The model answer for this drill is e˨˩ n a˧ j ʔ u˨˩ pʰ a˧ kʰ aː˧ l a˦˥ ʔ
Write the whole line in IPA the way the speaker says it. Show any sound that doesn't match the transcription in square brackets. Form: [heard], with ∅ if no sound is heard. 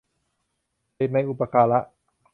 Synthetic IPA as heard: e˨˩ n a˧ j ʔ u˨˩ [p] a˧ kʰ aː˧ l a˦˥ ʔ